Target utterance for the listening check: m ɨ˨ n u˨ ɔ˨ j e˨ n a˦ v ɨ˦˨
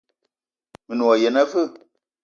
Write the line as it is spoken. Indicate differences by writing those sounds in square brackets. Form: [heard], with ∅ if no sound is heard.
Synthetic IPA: m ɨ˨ n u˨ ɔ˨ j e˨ n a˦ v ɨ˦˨

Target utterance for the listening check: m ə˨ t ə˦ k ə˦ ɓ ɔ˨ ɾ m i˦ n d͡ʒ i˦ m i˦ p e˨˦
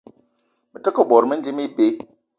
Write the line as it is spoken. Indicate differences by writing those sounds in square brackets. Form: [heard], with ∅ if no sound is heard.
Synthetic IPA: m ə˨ t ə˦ k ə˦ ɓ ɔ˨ ɾ m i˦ n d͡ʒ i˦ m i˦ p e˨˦

